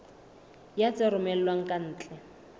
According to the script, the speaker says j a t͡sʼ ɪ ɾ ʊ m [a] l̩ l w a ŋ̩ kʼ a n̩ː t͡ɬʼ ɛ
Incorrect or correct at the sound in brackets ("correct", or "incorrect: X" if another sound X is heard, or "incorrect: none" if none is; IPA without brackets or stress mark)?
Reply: incorrect: ɛ